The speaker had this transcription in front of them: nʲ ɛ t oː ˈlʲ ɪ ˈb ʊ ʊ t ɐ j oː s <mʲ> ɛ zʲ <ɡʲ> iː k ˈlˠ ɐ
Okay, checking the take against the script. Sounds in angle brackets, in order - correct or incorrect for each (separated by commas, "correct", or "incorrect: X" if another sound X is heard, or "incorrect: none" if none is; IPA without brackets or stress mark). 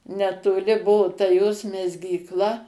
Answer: correct, correct